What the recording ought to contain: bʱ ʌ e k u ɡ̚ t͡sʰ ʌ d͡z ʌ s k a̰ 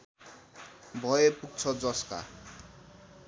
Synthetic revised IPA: bʱ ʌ e p u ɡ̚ t͡sʰ ʌ d͡z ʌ s k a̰